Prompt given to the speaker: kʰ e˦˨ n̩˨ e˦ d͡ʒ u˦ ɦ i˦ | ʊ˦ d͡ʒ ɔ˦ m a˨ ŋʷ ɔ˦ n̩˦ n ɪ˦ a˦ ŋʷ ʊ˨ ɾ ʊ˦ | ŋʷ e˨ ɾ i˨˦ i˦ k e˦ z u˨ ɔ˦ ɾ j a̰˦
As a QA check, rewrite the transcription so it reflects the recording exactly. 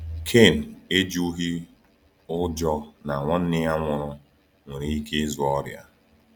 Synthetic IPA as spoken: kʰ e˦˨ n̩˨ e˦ d͡ʒ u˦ ɦ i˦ | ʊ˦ d͡ʒ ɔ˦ n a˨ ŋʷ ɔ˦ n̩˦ n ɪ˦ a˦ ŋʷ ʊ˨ ɾ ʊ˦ | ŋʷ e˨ ɾ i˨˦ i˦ k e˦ z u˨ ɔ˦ ɾ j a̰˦